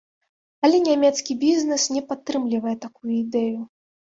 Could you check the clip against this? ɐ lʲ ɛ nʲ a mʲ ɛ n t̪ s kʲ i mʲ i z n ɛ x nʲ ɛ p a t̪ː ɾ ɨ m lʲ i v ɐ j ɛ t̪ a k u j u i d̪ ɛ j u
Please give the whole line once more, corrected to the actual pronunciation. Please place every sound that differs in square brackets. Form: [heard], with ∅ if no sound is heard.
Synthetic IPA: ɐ lʲ ɛ nʲ a mʲ ɛ [∅] t̪ s kʲ i [bʲ] i z n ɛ [s] nʲ ɛ p a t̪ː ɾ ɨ m lʲ i v ɐ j ɛ t̪ a k u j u i d̪ ɛ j u